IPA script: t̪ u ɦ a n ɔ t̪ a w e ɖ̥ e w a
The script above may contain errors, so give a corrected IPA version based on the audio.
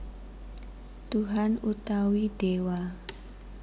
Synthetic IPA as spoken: t̪ u ɦ a n u t̪ a w i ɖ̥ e w a